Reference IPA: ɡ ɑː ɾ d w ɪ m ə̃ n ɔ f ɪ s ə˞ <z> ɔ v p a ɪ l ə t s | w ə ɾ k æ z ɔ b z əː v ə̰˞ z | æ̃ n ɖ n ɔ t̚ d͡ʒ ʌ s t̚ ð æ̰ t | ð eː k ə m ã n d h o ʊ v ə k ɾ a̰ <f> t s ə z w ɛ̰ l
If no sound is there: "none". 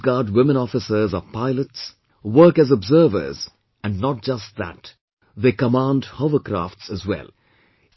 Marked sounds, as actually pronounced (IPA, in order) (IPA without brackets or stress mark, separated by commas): z, f